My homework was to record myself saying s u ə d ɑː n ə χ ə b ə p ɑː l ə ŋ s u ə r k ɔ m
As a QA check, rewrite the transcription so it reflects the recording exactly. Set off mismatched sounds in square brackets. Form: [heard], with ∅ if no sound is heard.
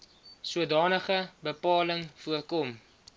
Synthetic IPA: s u ə d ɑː n ə χ ə b ə p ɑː l ə ŋ [f] u ə r k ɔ m